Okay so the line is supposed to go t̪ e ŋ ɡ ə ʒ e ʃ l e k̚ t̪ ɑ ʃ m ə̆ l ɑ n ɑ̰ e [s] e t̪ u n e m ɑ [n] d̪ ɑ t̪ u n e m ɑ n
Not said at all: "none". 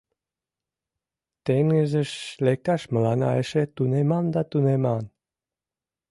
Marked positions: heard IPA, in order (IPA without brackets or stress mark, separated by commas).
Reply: ʃ, n